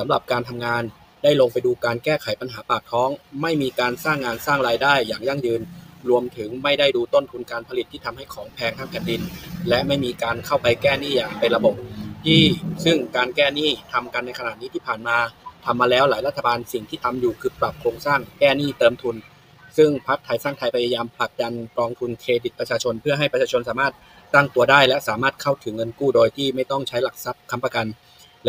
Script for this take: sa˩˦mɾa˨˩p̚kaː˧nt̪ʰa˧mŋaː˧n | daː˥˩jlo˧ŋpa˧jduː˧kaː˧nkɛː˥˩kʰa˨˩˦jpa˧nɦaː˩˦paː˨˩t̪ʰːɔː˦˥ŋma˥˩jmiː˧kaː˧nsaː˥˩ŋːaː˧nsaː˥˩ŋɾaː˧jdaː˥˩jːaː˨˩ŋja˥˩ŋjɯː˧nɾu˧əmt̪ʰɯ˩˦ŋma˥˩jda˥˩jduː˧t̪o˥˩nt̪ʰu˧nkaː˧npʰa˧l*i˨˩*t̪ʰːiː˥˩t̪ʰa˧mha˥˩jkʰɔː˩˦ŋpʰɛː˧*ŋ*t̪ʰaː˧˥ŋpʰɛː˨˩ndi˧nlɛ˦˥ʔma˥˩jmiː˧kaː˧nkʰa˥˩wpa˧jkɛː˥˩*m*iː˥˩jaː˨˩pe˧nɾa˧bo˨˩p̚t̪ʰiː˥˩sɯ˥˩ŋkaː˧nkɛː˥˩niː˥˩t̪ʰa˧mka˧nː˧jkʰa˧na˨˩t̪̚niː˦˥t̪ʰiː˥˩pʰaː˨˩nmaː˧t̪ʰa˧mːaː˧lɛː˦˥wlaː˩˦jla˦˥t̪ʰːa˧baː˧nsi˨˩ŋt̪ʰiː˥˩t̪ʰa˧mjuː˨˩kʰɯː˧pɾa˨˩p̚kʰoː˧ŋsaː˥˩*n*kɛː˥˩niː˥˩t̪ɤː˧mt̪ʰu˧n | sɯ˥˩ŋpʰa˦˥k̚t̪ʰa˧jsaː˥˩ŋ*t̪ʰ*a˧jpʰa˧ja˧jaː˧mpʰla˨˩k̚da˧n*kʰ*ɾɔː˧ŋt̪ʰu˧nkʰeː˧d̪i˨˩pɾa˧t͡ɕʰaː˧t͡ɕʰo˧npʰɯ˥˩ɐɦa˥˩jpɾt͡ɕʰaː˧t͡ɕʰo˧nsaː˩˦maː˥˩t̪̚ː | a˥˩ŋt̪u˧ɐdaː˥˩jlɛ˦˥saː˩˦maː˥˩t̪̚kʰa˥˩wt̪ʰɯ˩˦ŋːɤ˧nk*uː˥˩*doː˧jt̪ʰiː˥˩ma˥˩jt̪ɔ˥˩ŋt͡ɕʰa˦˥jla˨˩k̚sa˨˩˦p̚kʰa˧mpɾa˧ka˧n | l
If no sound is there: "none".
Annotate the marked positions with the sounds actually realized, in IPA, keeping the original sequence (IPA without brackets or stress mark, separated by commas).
i˨˩, ŋ, n, ŋ, t̪ʰ, k, uː˥˩